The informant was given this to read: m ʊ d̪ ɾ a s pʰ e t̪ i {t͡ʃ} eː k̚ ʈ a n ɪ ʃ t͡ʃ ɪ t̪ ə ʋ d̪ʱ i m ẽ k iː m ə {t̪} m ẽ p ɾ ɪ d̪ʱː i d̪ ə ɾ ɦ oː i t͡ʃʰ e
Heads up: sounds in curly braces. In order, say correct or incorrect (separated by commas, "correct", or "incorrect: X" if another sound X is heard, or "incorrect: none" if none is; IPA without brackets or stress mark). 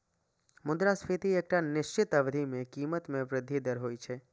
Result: incorrect: none, correct